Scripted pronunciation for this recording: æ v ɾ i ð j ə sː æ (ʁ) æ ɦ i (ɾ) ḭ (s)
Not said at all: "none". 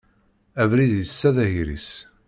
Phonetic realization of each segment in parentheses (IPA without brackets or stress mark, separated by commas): ð, ɾ, s